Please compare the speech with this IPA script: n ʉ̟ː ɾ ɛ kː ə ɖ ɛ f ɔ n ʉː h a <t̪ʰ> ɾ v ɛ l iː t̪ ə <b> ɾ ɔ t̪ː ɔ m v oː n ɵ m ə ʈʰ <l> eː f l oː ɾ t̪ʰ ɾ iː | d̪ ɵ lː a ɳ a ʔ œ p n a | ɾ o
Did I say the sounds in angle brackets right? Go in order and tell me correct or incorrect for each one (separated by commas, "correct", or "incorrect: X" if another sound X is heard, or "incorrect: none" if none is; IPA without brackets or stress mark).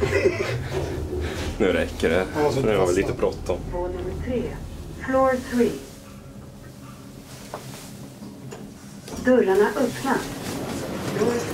incorrect: none, correct, incorrect: ɾ